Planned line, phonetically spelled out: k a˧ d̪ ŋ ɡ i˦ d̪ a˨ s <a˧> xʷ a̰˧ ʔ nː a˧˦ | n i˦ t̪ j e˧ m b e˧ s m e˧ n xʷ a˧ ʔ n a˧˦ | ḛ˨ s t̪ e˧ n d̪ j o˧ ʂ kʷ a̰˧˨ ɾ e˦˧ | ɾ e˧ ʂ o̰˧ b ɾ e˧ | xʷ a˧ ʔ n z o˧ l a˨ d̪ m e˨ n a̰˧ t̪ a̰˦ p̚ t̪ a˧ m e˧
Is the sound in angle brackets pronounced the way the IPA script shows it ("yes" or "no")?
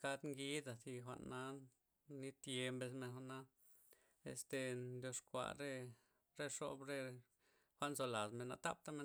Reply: no